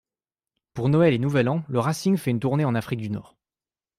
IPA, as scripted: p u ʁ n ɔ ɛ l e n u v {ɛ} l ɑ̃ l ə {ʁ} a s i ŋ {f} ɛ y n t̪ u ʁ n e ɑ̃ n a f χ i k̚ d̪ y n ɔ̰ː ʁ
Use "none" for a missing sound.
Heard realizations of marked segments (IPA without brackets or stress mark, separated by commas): ɛ, ʁ, f